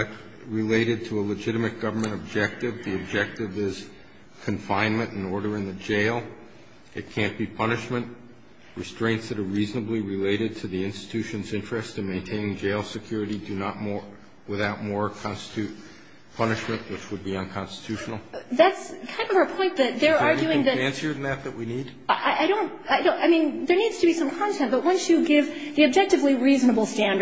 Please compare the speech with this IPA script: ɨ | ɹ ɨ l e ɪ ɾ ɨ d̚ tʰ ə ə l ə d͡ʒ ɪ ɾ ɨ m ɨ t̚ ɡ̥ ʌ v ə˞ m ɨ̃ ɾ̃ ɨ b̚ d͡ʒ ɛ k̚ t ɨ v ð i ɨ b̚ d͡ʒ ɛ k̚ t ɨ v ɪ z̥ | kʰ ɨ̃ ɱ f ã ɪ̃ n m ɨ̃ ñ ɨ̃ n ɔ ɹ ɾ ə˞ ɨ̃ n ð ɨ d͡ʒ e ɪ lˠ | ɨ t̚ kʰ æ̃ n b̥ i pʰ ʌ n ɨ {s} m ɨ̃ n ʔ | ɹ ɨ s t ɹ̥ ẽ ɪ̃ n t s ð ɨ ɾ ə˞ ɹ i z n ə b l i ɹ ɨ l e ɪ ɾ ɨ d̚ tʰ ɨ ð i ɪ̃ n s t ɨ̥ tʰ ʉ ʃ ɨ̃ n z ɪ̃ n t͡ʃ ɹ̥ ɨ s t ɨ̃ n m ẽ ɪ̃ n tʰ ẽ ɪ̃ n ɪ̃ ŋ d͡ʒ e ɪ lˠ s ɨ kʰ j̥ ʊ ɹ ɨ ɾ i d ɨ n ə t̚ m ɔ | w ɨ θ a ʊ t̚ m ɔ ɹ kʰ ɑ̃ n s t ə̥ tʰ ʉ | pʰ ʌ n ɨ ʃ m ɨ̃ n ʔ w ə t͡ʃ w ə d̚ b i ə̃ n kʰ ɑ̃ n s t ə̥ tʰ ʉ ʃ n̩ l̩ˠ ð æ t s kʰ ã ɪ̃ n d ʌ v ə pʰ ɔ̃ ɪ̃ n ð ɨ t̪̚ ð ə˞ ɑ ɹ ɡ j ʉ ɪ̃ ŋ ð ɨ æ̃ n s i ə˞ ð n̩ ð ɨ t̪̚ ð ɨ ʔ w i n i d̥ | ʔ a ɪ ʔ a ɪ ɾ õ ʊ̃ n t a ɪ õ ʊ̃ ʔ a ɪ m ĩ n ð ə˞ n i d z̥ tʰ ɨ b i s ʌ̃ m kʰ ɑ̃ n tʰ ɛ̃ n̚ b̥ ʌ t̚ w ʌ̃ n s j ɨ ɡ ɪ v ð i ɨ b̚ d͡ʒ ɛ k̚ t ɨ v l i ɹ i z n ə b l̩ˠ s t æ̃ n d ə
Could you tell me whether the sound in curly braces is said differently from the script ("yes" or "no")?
yes